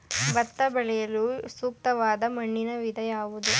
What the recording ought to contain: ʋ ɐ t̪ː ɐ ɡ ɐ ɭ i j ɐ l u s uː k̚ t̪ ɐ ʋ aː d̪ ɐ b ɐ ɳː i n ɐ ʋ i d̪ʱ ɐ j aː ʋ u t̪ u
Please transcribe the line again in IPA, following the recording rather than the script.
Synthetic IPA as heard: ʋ ɐ t̪ː ɐ b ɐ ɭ ɛ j ɐ l u s uː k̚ t̪ ɐ ʋ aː d̪ ɐ m ɐ ɳː i n ɐ ʋ i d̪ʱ ɐ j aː ʋ u d̪ u

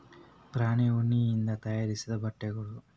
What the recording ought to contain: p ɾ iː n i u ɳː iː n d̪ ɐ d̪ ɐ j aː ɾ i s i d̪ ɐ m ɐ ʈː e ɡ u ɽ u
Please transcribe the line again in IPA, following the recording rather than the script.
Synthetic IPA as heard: p ɾ aː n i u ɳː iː n d̪ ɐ t̪ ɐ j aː ɾ i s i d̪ ɐ b ɐ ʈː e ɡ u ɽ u

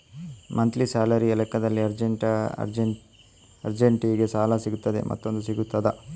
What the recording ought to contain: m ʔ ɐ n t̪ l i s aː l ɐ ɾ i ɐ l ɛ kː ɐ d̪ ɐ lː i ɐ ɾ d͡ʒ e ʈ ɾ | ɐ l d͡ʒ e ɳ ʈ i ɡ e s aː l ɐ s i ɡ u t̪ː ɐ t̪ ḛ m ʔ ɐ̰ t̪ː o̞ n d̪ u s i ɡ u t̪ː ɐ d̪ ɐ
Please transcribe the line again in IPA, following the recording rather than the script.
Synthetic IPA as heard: m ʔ ɐ n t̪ l i s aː l ɐ ɾ i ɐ l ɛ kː ɐ d̪ ɐ lː i ɐ ɾ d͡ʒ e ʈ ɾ | ɐ ɾ d͡ʒ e ɳ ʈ i ɡ e s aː l ɐ s i ɡ u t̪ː ɐ d̪ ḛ m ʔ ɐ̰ t̪ː o̞ n d̪ u s i ɡ u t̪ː ɐ d̪ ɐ

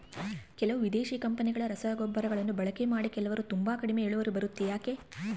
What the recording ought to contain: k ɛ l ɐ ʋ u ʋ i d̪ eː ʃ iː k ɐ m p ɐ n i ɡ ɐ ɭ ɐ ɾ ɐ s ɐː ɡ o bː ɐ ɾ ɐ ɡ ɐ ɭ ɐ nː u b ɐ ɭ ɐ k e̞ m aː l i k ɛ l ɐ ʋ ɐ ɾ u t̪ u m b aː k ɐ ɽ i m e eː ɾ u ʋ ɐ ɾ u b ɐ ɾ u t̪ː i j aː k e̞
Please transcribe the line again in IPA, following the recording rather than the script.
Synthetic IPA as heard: k ɛ l ɐ ʋ u ʋ i d̪ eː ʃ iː k ɐ m p ɐ n i ɡ ɐ ɭ ɐ ɾ ɐ s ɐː ɡ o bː ɐ ɾ ɐ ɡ ɐ ɭ ɐ nː u b ɐ ɭ ɐ k e̞ m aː ɽ i k ɛ l ɐ ʋ ɐ ɾ u t̪ u m b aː k ɐ ɽ i m e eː ɭ u ʋ ɐ ɾ u b ɐ ɾ u t̪ː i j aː k e̞

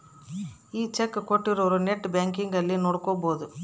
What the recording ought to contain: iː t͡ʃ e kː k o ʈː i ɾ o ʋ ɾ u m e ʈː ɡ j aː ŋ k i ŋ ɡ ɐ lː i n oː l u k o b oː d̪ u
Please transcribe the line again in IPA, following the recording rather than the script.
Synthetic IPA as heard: iː t͡ʃ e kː k o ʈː i ɾ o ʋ ɾ u n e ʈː b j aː ŋ k i ŋ ɡ ɐ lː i n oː ɽ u k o b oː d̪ u

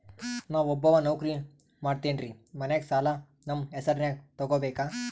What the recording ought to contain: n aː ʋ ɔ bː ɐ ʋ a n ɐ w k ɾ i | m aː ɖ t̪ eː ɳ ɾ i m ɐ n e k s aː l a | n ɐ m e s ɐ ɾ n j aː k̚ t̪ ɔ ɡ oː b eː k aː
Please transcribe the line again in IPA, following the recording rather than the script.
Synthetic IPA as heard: n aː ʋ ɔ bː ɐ ʋ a n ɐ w k ɾ i | m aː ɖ t̪ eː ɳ ɾ i m ɐ n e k s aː l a | n ɐ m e s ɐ ɾ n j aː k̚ t̪ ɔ ɡ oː b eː k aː

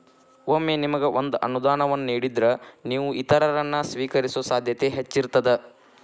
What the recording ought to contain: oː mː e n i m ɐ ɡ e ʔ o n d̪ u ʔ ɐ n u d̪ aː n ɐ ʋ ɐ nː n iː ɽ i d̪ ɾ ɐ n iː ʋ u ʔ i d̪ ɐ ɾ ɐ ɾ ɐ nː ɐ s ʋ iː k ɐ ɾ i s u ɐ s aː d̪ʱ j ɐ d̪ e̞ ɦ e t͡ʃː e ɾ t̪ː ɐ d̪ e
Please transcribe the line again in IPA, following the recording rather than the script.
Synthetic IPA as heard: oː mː e n i m ɐ ɡ e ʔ o n d̪ u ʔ ɐ n u d̪ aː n ɐ ʋ ɐ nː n iː ɽ i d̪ ɾ ɐ n iː ʋ u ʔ i t̪ ɐ ɾ ɐ ɾ ɐ nː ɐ s ʋ iː k ɐ ɾ i s u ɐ s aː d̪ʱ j ɐ t̪ e̞ ɦ e t͡ʃː i ɾ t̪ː ɐ d̪ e

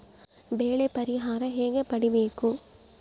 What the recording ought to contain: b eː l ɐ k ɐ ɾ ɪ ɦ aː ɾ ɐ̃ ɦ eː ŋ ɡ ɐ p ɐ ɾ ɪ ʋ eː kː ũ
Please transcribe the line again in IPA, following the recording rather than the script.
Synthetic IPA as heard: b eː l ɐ p ɐ ɾ ɪ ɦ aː ɾ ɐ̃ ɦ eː ŋ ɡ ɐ p ɐ ɽ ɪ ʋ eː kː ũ

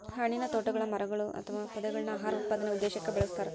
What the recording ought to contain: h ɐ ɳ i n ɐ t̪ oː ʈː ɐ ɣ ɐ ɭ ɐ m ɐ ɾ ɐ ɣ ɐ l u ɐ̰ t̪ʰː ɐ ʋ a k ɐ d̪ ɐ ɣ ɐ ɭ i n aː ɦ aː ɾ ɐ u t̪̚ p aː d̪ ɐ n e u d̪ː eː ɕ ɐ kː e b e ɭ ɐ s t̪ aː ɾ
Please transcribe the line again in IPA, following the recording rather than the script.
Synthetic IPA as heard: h ɐ ɳ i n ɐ t̪ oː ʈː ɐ ɣ ɐ ɭ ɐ m ɐ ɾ ɐ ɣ ɐ ɭ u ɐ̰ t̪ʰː ɐ ʋ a p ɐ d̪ ɐ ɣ ɐ ɭ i n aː ɦ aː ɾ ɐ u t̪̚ p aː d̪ ɐ n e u d̪ː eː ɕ ɐ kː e b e ɭ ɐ s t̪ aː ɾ

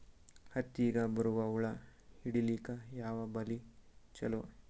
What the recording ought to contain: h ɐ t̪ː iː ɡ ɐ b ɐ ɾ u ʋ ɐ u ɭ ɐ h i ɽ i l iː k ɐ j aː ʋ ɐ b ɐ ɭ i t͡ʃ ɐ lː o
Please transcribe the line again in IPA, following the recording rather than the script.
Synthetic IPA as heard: h ɐ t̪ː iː ɡ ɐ b ɐ ɾ u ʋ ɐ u ɭ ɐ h i ɽ i l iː k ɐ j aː ʋ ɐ b ɐ l i t͡ʃ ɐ l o

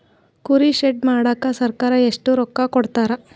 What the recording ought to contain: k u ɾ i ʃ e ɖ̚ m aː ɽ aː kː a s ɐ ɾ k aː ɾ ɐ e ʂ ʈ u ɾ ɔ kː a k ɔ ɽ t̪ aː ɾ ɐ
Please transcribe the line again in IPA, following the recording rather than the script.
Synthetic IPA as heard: k u ɾ i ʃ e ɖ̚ m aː ɽ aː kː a s ɐ ɾ k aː ɾ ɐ e ʂ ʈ u ɾ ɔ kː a k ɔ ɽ t̪ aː ɾ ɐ

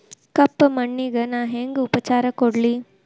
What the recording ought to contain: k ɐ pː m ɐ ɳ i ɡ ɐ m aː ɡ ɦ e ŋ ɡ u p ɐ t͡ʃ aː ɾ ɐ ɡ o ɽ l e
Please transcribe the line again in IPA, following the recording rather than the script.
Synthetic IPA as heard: k ɐ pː m ɐ ɳː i ɡ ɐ n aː ɦ e ŋ ɡ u p ɐ t͡ʃ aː ɾ ɐ k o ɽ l i

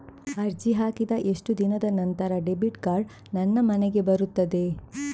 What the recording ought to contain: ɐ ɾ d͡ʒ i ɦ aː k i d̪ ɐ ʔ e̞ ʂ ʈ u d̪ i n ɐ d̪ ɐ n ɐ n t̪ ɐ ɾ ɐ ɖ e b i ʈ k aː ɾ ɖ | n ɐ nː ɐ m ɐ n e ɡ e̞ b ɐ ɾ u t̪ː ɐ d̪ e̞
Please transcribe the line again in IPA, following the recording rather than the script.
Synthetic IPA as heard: ɐ ɾ d͡ʒ i ɦ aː k i d̪ ɐ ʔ e̞ ʂ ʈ u d̪ i n ɐ d̪ ɐ n ɐ n t̪ ɐ ɾ ɐ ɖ e b i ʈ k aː ɾ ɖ | n ɐ nː ɐ m ɐ n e ɡ e̞ b ɐ ɾ u t̪ː ɐ d̪ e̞

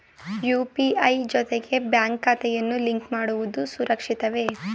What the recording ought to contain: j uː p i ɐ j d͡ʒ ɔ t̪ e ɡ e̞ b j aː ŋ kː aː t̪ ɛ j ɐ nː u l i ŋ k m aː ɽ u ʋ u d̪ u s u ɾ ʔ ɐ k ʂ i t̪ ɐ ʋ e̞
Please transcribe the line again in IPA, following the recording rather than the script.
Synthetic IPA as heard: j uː p i ɐ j d͡ʒ ɔ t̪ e ɡ e̞ b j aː ŋ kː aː t̪ ɛ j ɐ nː u l i ŋ k m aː ɽ u ʋ u d̪ u s u ɾ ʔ ɐ k ʂ i t̪ ɐ ʋ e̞

